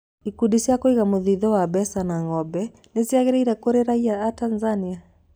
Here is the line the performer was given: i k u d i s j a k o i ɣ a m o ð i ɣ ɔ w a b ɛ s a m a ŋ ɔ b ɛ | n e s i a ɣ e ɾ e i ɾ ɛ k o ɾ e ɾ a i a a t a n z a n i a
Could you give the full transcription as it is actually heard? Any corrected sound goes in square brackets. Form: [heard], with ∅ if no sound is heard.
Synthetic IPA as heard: i k u d i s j a k o i ɣ a m o ð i [ð] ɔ w a b ɛ s a [n] a ŋ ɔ b ɛ | n e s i a ɣ e ɾ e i ɾ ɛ k o ɾ e ɾ a i a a t a n z a n i a